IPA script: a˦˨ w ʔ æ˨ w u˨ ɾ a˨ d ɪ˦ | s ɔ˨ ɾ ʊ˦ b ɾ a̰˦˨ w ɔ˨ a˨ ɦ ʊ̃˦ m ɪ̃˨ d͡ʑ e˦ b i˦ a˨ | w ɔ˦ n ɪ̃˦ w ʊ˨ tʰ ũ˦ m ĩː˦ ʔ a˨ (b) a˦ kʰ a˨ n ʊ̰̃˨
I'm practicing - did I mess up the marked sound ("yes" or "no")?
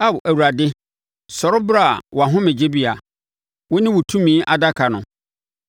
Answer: yes